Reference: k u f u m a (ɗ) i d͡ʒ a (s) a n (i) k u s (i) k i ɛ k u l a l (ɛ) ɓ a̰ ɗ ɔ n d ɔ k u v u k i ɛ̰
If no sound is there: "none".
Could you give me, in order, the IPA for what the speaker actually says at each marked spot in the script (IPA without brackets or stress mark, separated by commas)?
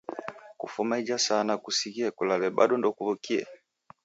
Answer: none, s, a, i, ɛ